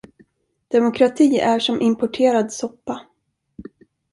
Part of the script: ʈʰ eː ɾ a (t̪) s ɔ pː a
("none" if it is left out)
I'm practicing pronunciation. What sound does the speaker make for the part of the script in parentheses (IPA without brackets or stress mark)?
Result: d̪